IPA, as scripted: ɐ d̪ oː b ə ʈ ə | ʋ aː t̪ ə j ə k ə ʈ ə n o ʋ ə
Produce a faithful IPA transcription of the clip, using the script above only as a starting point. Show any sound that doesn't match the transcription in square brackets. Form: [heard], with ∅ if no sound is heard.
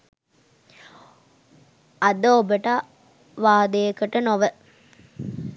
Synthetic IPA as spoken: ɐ d̪ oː b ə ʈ [a] | ʋ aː [d̪] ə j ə k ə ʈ ə n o ʋ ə